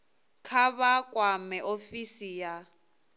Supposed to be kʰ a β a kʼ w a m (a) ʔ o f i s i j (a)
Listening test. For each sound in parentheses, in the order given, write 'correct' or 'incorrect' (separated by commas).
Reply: incorrect, correct